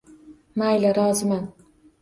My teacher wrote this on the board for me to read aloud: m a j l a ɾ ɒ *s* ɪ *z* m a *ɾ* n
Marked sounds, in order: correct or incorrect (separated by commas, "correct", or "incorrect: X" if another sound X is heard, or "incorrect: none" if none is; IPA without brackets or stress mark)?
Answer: incorrect: z, incorrect: none, incorrect: none